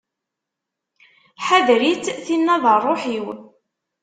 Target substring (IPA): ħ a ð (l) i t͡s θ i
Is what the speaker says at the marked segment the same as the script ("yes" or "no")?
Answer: no